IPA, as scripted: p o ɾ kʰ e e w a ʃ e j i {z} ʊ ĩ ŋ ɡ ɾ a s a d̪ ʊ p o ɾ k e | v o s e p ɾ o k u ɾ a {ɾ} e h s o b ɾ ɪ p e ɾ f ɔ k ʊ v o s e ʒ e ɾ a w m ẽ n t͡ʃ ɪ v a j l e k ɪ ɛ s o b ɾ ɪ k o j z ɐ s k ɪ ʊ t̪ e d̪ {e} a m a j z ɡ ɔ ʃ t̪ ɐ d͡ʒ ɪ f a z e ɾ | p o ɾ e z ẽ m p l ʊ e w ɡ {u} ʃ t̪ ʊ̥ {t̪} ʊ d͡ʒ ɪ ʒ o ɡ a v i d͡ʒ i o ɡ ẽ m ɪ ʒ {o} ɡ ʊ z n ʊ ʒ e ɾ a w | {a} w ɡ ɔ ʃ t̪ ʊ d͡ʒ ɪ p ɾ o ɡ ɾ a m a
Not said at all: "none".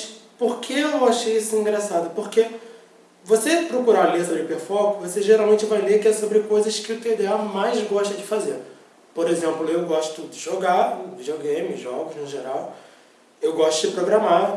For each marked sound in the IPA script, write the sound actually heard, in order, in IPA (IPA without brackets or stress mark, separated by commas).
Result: s, l, e, ɔ, t̪, ɔ, e